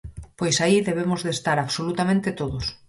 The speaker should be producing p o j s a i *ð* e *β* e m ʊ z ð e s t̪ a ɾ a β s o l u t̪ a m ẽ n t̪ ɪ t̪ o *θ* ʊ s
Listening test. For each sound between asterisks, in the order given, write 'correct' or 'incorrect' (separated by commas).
correct, correct, incorrect